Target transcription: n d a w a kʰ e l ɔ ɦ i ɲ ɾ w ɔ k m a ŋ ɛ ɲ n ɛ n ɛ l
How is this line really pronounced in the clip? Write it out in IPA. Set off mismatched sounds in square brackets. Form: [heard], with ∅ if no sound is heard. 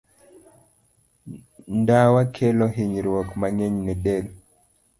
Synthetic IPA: n d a w a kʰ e l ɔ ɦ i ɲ ɾ w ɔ k m a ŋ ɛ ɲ n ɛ [d] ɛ l

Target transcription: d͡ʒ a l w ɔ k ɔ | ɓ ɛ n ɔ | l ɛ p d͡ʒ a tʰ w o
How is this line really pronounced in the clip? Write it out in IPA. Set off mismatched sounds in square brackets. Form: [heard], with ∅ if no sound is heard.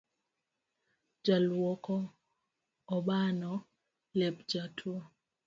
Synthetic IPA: d͡ʒ a l w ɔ k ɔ | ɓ [a] n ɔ | l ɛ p d͡ʒ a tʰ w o

